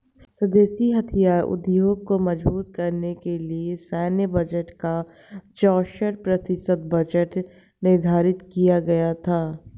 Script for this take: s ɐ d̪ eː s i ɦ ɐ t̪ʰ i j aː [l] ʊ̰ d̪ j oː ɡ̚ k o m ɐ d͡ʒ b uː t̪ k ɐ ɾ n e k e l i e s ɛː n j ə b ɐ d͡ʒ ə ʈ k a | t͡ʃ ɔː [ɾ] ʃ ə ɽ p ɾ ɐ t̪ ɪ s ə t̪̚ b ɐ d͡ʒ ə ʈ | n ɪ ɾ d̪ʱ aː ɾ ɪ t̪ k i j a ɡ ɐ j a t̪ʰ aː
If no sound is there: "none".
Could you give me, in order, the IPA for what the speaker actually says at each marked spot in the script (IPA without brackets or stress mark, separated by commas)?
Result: ɾ, none